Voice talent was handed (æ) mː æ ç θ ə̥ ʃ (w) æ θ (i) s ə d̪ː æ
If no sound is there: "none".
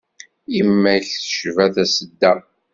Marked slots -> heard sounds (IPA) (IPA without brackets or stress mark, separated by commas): i, v, æ